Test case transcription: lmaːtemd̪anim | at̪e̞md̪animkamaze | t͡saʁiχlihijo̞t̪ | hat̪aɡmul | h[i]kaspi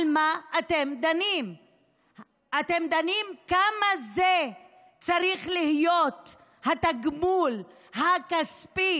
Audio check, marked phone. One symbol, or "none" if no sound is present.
a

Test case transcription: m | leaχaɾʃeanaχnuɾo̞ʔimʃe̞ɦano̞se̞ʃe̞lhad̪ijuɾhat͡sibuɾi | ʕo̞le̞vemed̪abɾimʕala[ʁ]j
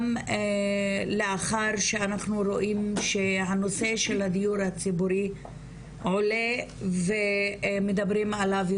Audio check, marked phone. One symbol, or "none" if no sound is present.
v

